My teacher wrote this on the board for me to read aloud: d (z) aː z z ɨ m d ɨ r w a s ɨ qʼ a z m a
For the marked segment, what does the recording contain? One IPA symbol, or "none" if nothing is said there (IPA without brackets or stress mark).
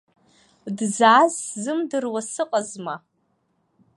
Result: z